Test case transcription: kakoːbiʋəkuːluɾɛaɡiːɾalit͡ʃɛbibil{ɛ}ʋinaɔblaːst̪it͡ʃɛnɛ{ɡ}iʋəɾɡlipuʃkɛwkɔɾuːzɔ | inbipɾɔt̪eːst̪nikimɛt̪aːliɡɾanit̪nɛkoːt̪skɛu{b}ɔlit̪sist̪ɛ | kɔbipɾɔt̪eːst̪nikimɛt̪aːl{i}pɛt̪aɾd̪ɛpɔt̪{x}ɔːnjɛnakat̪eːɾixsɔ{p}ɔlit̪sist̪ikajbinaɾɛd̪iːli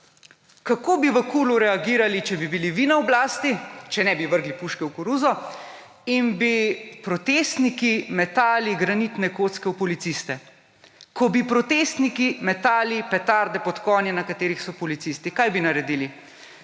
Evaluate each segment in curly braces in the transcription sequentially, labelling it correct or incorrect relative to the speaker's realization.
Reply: incorrect: i, incorrect: b, incorrect: p, correct, incorrect: k, correct

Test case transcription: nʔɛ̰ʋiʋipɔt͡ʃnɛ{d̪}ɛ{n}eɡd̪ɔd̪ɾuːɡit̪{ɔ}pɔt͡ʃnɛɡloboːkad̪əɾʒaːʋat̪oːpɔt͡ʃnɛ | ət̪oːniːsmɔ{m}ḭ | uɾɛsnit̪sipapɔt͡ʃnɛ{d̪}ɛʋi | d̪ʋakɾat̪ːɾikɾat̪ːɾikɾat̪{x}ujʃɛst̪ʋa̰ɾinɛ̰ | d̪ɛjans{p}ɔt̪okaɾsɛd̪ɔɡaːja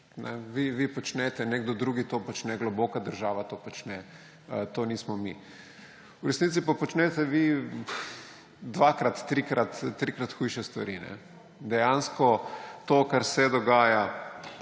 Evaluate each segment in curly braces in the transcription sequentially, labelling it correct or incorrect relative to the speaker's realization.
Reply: incorrect: t̪, correct, incorrect: o, correct, incorrect: t̪, correct, incorrect: k

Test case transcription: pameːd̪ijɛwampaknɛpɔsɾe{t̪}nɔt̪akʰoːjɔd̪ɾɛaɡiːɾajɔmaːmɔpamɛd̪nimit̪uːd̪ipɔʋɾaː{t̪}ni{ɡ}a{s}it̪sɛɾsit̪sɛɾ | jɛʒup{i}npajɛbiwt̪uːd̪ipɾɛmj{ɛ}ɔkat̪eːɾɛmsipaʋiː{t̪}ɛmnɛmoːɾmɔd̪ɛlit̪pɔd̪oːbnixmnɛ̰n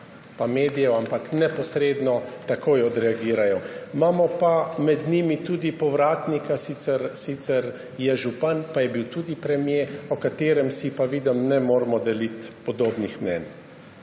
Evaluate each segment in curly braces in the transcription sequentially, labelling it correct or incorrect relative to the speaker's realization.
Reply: incorrect: d̪, correct, incorrect: k, correct, incorrect: a, incorrect: e, incorrect: d̪

